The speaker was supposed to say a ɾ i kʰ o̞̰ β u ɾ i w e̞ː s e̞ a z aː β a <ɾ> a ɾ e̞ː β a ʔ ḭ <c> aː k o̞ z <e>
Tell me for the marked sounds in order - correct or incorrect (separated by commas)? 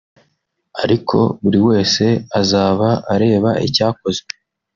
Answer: incorrect, correct, correct